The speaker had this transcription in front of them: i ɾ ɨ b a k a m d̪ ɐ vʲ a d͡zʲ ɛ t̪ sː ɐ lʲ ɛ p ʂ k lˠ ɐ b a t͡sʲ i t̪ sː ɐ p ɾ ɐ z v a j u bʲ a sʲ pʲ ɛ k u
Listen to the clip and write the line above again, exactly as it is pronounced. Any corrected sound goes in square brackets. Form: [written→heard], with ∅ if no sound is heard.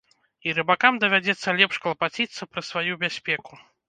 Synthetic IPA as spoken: i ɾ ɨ b a k a m d̪ ɐ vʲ a d͡zʲ ɛ t̪ sː ɐ lʲ ɛ p ʂ k lˠ ɐ [b→p] a t͡sʲ i t̪ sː ɐ p ɾ ɐ [z→s] v a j u bʲ a sʲ pʲ ɛ k u